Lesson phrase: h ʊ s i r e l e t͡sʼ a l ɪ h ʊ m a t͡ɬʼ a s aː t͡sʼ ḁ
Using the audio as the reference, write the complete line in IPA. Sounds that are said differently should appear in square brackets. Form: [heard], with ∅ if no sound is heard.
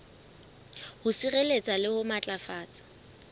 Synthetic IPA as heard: h ʊ s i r e l e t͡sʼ a l ɪ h ʊ m a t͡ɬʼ a [f] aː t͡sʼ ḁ